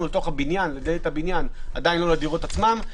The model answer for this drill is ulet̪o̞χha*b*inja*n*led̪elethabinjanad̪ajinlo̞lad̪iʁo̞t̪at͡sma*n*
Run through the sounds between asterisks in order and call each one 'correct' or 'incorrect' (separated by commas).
correct, correct, incorrect